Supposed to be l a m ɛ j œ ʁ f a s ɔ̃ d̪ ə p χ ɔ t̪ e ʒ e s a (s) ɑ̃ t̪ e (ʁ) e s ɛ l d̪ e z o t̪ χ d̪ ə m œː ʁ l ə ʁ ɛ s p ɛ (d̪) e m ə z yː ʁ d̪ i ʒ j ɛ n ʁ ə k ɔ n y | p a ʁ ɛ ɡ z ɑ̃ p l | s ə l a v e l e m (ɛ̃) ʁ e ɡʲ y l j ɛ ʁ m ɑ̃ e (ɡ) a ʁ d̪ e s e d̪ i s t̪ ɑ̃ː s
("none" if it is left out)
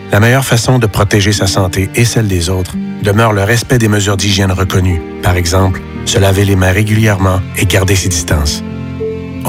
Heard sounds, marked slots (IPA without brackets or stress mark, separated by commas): s, none, d̪, ɛ̃, ɡ